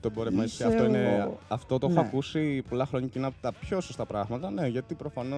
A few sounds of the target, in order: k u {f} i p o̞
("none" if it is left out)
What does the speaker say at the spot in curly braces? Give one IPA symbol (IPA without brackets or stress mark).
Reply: s